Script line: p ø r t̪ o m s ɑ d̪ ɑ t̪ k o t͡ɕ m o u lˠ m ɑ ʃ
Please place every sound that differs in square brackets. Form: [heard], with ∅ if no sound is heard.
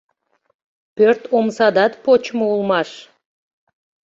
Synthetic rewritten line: p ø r t̪ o m s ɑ d̪ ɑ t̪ [p] o t͡ɕ m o u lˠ m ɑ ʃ